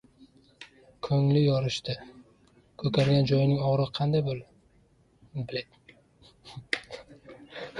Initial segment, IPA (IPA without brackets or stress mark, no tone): kʰ